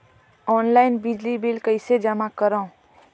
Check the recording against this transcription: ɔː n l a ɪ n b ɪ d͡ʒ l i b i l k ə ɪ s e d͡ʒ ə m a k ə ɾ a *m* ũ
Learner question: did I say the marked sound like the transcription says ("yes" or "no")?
no